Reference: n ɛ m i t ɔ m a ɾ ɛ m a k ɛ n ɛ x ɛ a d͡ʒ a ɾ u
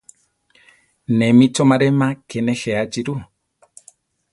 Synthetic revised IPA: n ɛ m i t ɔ m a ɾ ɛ m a k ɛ n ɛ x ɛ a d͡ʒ i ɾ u